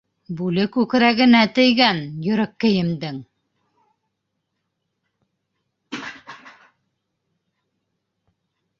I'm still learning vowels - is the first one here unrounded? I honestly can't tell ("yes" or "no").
no